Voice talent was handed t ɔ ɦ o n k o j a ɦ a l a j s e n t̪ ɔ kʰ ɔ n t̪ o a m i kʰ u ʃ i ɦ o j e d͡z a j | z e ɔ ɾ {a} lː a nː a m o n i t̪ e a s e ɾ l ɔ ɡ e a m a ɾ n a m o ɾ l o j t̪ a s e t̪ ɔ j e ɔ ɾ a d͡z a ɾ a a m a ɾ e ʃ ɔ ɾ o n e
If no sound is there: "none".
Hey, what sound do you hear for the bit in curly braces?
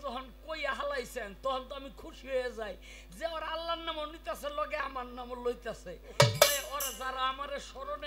a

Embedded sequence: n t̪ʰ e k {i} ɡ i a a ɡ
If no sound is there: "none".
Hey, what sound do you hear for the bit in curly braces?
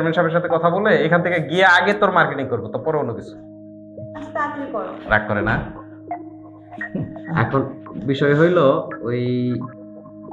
e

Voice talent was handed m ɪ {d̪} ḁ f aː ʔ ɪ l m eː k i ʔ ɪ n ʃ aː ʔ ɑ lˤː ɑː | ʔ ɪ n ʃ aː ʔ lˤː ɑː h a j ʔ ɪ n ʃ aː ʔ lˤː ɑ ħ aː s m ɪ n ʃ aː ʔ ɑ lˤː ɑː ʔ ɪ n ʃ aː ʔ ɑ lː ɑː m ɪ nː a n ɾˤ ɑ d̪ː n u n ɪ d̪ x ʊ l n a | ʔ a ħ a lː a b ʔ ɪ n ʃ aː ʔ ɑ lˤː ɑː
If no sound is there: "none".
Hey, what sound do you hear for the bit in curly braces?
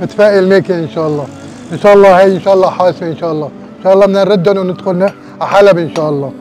t̪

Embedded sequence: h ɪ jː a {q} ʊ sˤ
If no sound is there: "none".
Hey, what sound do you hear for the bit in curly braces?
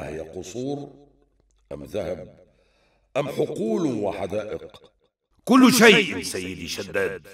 q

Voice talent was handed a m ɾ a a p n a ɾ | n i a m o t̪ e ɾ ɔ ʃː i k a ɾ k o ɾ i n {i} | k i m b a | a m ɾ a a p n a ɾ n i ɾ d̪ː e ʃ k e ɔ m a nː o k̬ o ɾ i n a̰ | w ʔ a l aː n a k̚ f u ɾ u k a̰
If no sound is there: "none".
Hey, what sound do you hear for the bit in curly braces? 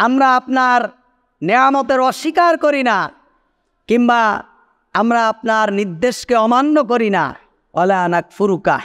a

